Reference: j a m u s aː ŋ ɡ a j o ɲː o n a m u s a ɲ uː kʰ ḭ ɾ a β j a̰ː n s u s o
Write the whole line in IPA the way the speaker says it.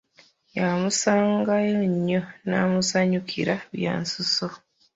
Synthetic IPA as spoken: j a m u s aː ŋ ɡ a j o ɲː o n a m u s a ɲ u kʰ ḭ ɾ a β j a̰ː n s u s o